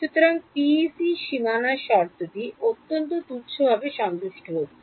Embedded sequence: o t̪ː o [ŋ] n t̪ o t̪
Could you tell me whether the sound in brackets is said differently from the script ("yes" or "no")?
yes